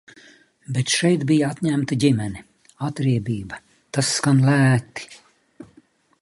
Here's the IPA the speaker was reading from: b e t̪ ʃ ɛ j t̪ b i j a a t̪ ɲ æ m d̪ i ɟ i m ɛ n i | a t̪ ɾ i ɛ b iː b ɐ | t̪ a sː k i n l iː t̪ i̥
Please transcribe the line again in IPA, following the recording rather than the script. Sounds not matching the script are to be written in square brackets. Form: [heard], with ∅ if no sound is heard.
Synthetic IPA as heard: b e t̪ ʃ ɛ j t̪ b i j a a t̪ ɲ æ m [t̪] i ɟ i m ɛ n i | a t̪ ɾ i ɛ b iː b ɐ | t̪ a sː k [a] n l [æː] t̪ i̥